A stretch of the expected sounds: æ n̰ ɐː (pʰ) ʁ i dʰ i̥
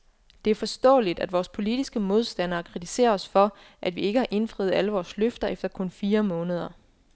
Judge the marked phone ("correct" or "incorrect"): incorrect